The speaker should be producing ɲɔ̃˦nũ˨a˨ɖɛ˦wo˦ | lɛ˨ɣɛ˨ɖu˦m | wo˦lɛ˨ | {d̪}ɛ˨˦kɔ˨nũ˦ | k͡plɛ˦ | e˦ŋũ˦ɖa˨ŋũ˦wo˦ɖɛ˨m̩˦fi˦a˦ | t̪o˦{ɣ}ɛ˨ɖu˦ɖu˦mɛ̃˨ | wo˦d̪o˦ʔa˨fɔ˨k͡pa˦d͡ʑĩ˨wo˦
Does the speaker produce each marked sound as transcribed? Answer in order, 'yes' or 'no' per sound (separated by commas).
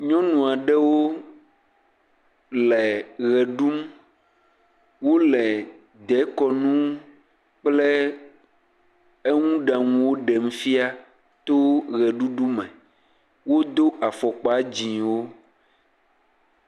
yes, yes